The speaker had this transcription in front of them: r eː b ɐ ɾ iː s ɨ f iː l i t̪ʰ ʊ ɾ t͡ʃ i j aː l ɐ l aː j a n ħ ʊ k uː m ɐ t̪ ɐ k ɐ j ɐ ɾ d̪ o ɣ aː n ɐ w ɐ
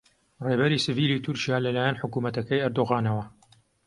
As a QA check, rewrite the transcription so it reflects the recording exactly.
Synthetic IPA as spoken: r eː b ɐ ɾ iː s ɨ v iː l i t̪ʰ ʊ ɾ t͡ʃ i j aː l ɐ l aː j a n ħ ʊ k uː m ɐ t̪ ɐ k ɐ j ɐ ɾ d̪ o ɣ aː n ɐ w ɐ